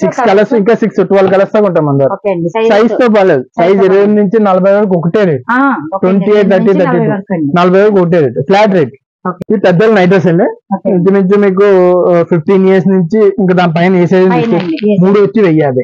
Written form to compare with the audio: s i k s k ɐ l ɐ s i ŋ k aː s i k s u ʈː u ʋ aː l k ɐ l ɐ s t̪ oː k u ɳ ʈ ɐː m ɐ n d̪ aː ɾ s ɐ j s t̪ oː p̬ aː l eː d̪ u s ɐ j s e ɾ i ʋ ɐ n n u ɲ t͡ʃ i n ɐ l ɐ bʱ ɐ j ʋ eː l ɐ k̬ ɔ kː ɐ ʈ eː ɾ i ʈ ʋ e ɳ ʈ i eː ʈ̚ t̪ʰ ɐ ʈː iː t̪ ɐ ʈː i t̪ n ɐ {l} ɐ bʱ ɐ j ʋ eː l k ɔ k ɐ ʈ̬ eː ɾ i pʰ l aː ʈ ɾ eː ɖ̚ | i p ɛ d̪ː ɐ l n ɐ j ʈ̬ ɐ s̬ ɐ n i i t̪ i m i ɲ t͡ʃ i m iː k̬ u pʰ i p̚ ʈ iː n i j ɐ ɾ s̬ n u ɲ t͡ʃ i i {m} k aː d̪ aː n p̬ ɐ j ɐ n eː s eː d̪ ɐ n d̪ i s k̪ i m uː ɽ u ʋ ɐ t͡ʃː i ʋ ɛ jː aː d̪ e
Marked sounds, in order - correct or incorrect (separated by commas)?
correct, incorrect